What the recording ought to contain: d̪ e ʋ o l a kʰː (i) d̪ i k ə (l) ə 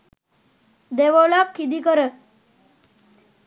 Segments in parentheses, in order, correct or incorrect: correct, incorrect: ɾ

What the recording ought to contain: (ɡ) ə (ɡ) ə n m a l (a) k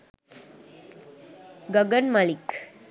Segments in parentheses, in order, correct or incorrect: correct, correct, incorrect: i

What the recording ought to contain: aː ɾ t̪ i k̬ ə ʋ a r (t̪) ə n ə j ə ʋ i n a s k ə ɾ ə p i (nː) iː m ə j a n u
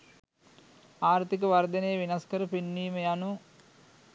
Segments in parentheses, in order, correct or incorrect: incorrect: d̪, correct

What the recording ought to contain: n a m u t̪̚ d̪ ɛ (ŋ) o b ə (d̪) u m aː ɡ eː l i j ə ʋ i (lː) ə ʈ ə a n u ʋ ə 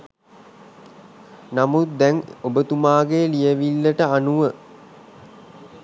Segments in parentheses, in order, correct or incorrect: correct, incorrect: t̪, correct

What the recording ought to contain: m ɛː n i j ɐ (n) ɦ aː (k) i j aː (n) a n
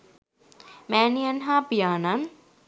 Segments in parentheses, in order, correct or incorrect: correct, incorrect: p, correct

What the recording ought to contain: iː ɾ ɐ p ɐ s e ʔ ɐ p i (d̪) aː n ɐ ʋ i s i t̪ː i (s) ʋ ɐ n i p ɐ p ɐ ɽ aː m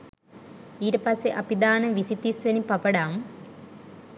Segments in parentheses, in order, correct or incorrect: correct, correct

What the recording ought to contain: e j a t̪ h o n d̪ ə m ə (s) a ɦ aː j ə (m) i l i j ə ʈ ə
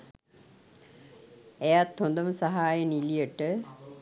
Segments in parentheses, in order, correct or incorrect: correct, incorrect: n

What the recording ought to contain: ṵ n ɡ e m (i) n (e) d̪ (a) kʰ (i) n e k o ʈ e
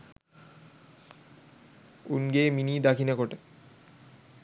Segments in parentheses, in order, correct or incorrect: correct, incorrect: i, correct, correct

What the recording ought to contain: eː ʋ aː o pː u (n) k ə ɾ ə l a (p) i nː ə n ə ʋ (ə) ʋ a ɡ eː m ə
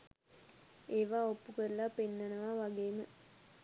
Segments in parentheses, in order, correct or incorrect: incorrect: none, correct, incorrect: a

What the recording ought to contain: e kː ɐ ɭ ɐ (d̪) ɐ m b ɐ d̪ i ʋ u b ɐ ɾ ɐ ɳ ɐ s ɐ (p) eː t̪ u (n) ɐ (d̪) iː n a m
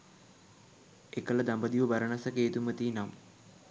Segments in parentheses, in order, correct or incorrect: correct, incorrect: k, incorrect: m, incorrect: t̪

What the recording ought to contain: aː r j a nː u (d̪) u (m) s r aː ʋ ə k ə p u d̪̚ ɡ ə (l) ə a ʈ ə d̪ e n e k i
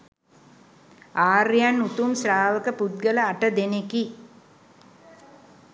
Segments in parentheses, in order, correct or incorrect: incorrect: t̪, correct, correct

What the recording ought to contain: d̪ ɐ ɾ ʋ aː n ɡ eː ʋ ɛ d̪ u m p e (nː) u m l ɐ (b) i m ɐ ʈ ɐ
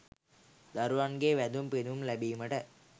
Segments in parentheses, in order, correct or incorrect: incorrect: n, correct

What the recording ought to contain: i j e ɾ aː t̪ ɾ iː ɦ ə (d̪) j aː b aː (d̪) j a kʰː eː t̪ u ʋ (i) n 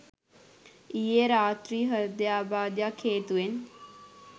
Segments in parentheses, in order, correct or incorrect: correct, correct, incorrect: e

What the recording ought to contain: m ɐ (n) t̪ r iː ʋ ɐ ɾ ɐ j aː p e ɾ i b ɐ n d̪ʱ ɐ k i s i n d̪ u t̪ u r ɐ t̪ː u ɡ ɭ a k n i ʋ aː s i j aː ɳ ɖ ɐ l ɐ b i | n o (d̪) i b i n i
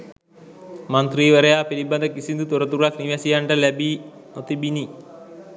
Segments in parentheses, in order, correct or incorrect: correct, incorrect: t̪

